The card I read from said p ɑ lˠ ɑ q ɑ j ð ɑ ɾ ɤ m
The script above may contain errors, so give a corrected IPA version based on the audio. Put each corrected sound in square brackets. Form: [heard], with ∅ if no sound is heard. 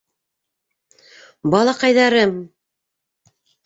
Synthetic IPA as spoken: [b] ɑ lˠ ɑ q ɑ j ð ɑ ɾ ɤ m